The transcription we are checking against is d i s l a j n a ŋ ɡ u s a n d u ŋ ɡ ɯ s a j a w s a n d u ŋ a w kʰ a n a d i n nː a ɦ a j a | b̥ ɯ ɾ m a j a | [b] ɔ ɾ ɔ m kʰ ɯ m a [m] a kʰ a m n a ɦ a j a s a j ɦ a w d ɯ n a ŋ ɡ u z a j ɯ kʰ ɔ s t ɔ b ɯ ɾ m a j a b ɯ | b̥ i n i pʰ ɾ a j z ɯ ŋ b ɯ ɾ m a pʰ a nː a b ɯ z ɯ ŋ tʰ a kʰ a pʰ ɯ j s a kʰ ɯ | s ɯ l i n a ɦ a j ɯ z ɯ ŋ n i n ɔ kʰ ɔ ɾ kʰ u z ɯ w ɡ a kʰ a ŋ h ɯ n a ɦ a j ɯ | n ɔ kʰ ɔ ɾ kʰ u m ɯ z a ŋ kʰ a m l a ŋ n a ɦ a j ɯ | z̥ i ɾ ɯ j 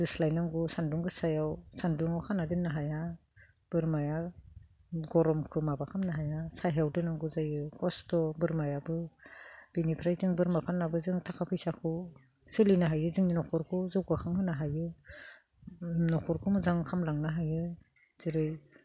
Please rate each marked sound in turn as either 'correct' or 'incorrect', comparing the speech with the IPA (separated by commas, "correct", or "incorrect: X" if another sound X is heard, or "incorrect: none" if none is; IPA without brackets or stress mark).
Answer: incorrect: ɡ, incorrect: b